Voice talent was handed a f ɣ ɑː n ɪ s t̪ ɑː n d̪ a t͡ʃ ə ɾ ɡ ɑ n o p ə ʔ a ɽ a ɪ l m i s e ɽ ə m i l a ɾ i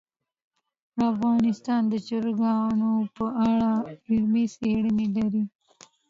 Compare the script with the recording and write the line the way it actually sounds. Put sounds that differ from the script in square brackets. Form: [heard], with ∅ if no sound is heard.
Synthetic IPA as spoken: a f ɣ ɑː n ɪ s t̪ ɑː n d̪ [ə] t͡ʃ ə ɾ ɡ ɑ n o p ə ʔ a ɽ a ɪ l m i s e ɽ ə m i l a ɾ i